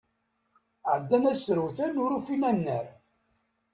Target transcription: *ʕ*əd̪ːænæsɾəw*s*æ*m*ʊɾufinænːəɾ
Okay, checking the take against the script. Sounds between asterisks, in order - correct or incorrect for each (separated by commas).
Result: correct, incorrect, incorrect